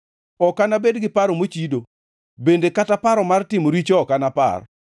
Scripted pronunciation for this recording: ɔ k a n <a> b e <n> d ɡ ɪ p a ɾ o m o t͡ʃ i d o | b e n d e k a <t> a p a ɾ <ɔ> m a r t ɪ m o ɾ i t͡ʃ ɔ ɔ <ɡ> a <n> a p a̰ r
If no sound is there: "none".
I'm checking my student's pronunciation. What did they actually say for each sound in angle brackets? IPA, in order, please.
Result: a, none, t, ɔ, k, n

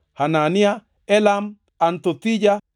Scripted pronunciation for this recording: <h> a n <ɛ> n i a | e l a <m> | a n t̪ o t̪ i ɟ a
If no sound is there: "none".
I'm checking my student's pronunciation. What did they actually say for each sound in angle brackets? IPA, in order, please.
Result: h, a, m

